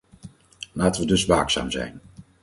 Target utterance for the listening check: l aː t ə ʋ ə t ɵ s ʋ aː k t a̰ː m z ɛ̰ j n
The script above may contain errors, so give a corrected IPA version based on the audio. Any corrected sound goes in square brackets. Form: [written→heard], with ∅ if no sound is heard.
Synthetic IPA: l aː t ə ʋ ə [t→d] ɵ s ʋ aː k [t→s] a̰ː m z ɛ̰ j n